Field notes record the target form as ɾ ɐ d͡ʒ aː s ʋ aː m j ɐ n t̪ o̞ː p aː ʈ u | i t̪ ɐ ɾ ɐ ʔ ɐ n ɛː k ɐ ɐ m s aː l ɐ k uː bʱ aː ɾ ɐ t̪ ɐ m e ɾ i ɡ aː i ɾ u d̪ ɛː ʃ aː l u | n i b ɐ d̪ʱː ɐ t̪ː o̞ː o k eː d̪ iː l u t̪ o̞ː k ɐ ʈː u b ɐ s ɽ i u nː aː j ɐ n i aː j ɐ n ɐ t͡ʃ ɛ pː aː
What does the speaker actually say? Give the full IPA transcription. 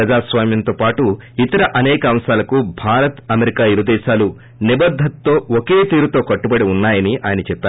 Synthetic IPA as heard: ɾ ɐ d͡ʒ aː s ʋ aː m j ɐ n t̪ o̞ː p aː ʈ u | i t̪ ɐ ɾ ɐ ʔ ɐ n ɛː k ɐ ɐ m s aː l ɐ k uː bʱ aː ɾ ɐ t̪ ɐ m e ɾ i k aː i ɾ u d̪ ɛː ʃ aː l u | n i b ɐ d̪ʱː ɐ t̪ː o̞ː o k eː t̪ iː ɾ u t̪ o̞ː k ɐ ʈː u b ɐ ɽ i u nː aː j ɐ n i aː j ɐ n ɐ t͡ʃ ɛ pː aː